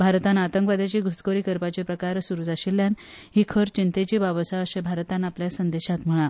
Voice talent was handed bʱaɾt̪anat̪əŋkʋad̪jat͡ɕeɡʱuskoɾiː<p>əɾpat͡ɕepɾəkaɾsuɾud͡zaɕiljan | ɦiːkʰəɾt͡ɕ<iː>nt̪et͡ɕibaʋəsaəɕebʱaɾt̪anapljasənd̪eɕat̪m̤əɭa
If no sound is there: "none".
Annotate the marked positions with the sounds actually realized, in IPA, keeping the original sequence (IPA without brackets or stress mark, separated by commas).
k, i